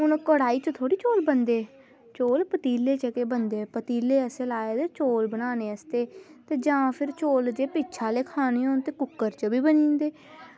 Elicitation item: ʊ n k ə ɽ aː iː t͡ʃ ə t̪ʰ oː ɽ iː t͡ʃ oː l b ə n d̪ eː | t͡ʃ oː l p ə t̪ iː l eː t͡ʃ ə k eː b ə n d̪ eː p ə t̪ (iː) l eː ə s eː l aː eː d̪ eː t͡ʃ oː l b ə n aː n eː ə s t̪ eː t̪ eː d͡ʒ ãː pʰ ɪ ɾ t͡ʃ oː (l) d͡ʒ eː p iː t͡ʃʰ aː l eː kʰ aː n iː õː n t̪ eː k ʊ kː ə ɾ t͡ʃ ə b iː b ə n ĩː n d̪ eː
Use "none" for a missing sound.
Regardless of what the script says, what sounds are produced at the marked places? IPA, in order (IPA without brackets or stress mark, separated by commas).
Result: iː, l